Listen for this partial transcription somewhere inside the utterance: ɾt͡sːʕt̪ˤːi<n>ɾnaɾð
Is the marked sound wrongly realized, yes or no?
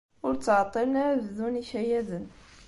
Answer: yes